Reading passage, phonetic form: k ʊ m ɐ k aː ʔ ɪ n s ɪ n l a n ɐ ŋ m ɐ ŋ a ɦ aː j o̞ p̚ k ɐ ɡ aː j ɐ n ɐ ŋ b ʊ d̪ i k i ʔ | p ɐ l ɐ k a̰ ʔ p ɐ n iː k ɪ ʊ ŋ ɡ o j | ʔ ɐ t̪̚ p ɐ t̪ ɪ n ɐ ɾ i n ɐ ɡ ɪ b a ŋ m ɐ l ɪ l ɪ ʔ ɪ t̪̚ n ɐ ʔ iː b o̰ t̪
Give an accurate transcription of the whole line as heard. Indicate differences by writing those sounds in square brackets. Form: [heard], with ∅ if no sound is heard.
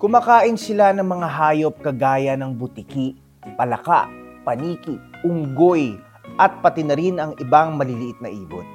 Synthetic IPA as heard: k ʊ m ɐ k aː ʔ ɪ n s ɪ [∅] l a n ɐ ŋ m ɐ ŋ a ɦ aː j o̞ p̚ k ɐ ɡ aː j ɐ n ɐ ŋ b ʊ [t̪] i k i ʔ | p ɐ l ɐ k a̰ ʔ p ɐ n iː k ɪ ʊ ŋ ɡ o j | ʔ ɐ t̪̚ p ɐ t̪ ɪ n ɐ ɾ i n ɐ [ŋ] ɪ b a ŋ m ɐ l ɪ l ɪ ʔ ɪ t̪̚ n ɐ ʔ iː b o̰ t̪